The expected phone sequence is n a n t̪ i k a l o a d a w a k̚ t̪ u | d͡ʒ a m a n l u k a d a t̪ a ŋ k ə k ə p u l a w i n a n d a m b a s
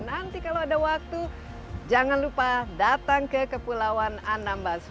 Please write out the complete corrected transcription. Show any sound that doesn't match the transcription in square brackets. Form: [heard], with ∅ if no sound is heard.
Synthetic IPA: n a n t̪ i k a l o a d a w a k̚ t̪ u | d͡ʒ a [ŋ] a n l u [p] a d a t̪ a ŋ k ə k ə p u l a w [a] n a n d a m b a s